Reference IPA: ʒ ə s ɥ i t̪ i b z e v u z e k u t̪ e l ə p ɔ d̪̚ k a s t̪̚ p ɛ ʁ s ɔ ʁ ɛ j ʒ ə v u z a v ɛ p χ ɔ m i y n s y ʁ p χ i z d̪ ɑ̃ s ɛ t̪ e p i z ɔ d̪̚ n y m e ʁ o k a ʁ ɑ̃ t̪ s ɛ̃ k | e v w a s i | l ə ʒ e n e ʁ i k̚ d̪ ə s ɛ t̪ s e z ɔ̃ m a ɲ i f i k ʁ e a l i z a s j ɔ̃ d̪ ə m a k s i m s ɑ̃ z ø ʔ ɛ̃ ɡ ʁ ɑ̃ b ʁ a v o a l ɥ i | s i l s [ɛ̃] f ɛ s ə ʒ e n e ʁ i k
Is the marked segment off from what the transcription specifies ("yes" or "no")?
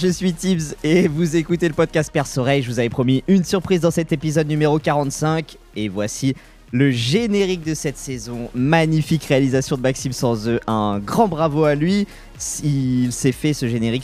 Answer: yes